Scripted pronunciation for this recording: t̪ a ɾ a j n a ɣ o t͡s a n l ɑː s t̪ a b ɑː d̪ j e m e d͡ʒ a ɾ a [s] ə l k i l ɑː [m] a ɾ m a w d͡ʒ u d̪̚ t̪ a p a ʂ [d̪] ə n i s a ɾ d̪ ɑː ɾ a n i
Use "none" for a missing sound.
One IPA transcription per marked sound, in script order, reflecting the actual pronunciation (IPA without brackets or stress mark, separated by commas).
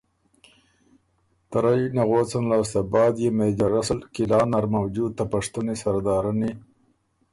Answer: s, n, t̪